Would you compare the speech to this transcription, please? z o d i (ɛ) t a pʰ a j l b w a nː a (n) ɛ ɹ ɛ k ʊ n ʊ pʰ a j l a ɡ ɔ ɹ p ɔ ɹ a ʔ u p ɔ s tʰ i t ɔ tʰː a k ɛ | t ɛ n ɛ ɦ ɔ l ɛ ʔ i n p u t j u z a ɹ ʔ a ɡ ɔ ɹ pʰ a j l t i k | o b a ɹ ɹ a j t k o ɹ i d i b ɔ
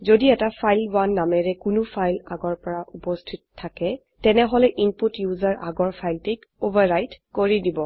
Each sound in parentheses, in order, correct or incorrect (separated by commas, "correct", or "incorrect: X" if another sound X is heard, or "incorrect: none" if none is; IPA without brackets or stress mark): correct, incorrect: m